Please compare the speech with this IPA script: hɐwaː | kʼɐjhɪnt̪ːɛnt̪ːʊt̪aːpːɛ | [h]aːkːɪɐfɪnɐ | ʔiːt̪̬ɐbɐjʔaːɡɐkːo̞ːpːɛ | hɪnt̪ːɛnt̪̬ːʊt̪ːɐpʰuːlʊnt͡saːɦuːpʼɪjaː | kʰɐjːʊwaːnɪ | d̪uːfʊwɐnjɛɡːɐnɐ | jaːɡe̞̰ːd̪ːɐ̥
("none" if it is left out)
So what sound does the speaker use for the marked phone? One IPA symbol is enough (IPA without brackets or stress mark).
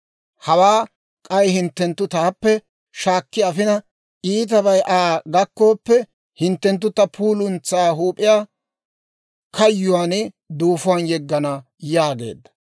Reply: ʃ